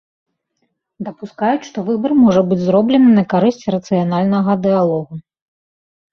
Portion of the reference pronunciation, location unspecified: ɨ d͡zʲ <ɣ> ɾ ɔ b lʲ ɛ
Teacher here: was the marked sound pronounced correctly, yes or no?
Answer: no